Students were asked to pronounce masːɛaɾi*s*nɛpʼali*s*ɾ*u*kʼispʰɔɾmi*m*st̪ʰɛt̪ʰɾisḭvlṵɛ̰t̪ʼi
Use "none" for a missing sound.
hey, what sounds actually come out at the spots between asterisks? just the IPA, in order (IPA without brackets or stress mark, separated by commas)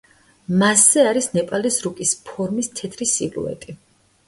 s, s, u, none